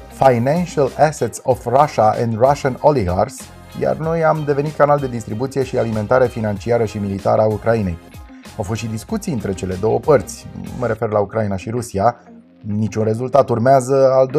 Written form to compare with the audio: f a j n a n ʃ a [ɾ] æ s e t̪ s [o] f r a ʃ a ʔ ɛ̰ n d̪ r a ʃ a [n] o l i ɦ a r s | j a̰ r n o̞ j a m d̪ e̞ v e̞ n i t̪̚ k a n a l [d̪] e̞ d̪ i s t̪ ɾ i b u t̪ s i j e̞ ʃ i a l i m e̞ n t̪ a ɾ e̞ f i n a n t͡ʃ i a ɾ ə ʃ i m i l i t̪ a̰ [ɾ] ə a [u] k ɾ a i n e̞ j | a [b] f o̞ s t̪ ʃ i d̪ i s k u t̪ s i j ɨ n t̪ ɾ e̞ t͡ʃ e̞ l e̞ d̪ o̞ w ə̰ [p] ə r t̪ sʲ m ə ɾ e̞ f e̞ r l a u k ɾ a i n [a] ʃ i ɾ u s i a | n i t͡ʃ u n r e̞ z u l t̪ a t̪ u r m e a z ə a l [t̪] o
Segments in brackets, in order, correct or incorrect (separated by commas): incorrect, correct, correct, correct, correct, correct, incorrect, correct, correct, incorrect